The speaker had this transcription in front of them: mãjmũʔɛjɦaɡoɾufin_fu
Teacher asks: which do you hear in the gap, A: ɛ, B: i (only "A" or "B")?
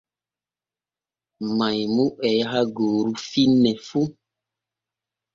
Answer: A